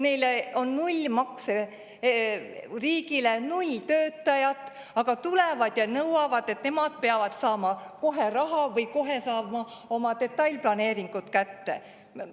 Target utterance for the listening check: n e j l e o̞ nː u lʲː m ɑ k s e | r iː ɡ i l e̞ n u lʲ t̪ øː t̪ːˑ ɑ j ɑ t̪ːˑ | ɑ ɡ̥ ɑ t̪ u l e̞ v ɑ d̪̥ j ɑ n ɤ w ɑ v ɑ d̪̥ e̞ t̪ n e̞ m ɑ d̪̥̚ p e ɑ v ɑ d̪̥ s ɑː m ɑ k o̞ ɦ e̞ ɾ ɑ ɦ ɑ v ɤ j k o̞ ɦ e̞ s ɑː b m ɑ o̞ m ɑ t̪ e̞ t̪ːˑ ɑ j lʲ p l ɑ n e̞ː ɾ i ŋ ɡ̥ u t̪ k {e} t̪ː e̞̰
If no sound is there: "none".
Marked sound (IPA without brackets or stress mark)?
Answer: æ